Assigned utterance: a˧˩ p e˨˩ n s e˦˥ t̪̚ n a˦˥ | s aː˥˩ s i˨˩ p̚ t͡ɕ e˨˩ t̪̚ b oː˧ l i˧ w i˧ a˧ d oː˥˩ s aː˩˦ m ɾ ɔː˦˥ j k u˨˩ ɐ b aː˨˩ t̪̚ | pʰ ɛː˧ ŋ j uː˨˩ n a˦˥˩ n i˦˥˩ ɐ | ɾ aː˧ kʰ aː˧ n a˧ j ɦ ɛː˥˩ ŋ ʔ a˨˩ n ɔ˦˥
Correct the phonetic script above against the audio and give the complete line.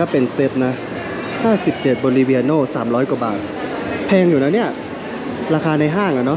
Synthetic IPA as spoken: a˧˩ p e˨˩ n s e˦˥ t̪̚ n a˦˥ | h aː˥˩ s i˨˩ p̚ t͡ɕ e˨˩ t̪̚ b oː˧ l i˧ w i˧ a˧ n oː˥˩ s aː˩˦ m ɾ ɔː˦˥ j k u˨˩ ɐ b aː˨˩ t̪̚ | pʰ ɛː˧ ŋ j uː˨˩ n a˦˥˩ n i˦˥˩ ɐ | ɾ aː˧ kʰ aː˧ n a˧ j ɦ aː˥˩ ŋ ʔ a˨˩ n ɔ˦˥